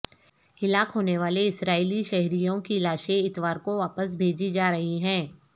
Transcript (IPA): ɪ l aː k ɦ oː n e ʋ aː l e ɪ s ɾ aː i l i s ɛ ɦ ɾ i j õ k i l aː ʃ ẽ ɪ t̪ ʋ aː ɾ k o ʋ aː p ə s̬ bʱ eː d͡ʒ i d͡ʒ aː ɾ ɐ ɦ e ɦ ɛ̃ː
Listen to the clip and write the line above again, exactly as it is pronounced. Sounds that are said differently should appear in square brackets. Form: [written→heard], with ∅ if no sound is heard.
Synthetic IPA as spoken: ɪ l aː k ɦ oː n e ʋ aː l e ɪ s ɾ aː i l i [s→ʃ] ɛ ɦ ɾ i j õ k i l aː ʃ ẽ ɪ t̪ ʋ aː ɾ k o ʋ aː p ə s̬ bʱ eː d͡ʒ i d͡ʒ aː ɾ ɐ ɦ [e→i] ɦ ɛ̃ː